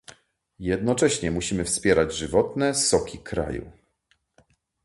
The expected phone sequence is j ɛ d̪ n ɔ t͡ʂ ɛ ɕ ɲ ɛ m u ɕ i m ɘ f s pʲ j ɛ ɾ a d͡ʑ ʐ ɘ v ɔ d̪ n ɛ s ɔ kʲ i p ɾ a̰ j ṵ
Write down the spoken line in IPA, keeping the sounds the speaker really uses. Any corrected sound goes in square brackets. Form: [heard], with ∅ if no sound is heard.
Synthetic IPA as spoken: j ɛ d̪ n ɔ t͡ʂ ɛ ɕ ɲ ɛ m u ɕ i m ɘ f s pʲ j ɛ ɾ a d͡ʑ ʐ ɘ v ɔ [t̪] n ɛ s ɔ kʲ i [k] ɾ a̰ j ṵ

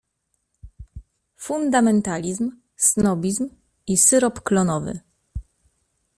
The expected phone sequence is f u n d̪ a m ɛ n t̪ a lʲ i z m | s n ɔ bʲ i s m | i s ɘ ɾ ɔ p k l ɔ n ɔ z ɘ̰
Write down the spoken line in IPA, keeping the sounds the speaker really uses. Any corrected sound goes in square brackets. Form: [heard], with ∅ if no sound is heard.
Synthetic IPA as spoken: f u n d̪ a m ɛ n t̪ a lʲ i z m | s n ɔ bʲ i [z] m | i s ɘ ɾ ɔ p k l ɔ n ɔ [v] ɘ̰

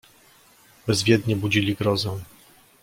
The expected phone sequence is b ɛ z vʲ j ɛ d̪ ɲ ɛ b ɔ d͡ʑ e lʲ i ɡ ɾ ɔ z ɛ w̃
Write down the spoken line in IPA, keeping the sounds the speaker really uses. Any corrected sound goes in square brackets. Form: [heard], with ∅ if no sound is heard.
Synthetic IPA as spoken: b ɛ z vʲ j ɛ d̪ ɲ ɛ b [u] d͡ʑ [i] lʲ i ɡ ɾ ɔ z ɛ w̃

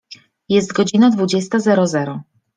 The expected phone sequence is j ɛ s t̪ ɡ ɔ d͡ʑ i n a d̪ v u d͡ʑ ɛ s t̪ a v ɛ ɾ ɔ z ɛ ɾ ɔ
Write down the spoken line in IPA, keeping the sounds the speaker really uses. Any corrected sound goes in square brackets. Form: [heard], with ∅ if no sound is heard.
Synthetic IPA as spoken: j ɛ s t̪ ɡ ɔ d͡ʑ i n a d̪ v u d͡ʑ ɛ s t̪ a [z] ɛ ɾ ɔ z ɛ ɾ ɔ

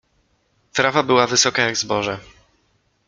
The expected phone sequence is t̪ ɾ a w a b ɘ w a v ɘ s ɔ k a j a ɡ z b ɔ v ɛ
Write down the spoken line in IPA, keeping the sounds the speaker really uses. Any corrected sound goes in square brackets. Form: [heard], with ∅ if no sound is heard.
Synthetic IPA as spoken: t̪ ɾ a [v] a b ɘ w a v ɘ s ɔ k a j a ɡ z b ɔ [ʐ] ɛ

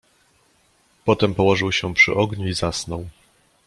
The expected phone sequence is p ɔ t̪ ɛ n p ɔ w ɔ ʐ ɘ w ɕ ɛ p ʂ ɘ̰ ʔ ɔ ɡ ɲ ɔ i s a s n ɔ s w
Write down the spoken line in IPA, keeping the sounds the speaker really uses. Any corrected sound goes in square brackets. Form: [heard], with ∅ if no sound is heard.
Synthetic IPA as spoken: p ɔ t̪ ɛ [m] p ɔ w ɔ ʐ ɘ w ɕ ɛ p ʂ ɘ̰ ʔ ɔ ɡ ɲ [u] i [z] a s n ɔ [∅] w

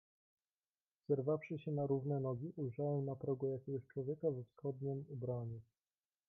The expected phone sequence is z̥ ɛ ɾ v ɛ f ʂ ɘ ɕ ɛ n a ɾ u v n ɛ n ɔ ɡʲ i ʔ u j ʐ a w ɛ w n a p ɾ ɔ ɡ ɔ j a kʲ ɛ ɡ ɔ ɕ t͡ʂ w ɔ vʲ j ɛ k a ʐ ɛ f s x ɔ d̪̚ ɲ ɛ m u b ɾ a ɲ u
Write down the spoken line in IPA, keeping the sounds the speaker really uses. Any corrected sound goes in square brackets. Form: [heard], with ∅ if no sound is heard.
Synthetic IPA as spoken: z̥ ɛ ɾ v [a] f ʂ ɘ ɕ ɛ n a ɾ u v n ɛ n ɔ ɡʲ i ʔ u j ʐ a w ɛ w n a p ɾ ɔ ɡ ɔ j a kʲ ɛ ɡ ɔ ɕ t͡ʂ w ɔ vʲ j ɛ k a [v] ɛ f s x ɔ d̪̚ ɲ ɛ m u b ɾ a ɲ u

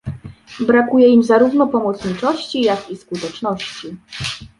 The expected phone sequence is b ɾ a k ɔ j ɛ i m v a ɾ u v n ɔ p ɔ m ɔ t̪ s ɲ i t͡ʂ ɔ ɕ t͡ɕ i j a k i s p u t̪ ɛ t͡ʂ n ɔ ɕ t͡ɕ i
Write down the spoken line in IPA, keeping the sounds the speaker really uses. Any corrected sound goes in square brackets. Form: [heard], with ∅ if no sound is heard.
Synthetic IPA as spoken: b ɾ a k [u] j ɛ i m [z] a ɾ u v n ɔ p ɔ m ɔ t̪ s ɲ i t͡ʂ ɔ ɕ t͡ɕ i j a k i s [k] u t̪ ɛ t͡ʂ n ɔ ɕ t͡ɕ i

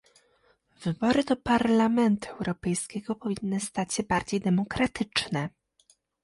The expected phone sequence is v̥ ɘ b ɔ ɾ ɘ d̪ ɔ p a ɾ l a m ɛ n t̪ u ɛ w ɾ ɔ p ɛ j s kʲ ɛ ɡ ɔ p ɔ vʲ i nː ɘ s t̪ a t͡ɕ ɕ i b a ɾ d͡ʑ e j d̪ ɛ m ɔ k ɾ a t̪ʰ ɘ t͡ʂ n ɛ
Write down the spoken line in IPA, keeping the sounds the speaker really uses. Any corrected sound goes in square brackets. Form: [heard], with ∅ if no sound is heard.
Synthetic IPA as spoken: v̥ ɘ b ɔ ɾ ɘ d̪ ɔ p a ɾ l a m ɛ n t̪ u ɛ w ɾ ɔ p ɛ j s kʲ ɛ ɡ ɔ p ɔ vʲ i nː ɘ s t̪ a t͡ɕ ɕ [ɛ] b a ɾ d͡ʑ e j d̪ ɛ m ɔ k ɾ a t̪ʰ ɘ t͡ʂ n ɛ

